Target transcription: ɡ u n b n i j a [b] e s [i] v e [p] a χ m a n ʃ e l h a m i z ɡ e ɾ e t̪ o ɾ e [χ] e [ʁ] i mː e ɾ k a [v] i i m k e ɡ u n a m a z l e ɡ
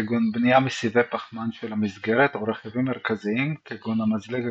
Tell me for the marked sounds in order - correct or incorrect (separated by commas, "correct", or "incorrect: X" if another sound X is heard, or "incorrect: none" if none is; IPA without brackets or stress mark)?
incorrect: m, correct, correct, correct, incorrect: v, incorrect: z